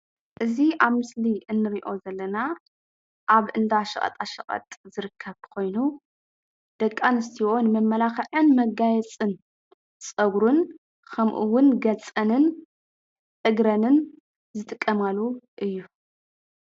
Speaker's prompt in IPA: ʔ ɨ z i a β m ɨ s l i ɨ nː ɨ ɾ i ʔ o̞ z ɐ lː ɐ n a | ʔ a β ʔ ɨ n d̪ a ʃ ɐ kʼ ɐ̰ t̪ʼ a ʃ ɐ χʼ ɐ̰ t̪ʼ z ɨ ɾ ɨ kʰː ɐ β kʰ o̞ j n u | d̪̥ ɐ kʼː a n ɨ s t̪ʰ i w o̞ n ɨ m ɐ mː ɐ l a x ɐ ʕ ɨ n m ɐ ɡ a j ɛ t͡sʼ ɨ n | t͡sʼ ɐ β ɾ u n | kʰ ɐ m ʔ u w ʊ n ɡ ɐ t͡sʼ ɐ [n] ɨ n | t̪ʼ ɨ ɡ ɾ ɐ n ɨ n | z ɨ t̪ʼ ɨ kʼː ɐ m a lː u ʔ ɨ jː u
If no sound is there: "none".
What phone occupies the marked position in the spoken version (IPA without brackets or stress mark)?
n